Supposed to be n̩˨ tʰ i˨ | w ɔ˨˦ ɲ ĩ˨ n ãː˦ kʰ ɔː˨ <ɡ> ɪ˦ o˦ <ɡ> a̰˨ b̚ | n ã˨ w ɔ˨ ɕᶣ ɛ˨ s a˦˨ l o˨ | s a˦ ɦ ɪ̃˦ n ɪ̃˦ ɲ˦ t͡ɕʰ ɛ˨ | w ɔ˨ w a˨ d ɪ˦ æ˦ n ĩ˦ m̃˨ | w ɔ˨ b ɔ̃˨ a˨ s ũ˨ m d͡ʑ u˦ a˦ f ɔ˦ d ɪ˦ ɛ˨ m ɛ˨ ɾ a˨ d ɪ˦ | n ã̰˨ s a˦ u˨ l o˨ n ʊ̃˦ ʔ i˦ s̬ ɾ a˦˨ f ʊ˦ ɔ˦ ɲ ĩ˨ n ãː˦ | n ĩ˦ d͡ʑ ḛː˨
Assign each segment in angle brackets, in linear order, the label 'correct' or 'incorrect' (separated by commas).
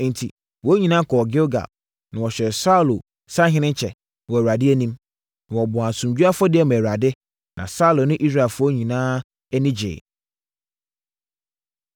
correct, correct